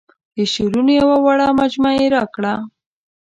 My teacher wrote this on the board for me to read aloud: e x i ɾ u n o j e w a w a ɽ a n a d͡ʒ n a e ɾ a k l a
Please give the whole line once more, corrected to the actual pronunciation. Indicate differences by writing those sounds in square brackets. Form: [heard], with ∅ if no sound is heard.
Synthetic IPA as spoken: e [ʃ] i ɾ u n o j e w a w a ɽ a [m] a d͡ʒ [m] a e ɾ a k [ɽ] a